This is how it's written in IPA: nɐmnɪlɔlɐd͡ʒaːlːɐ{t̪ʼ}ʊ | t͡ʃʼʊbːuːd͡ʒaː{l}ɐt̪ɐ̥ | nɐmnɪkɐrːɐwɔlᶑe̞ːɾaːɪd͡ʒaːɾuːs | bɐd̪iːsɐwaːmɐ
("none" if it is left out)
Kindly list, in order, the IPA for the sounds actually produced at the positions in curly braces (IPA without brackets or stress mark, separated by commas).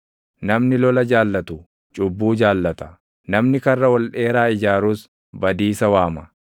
t̪, lː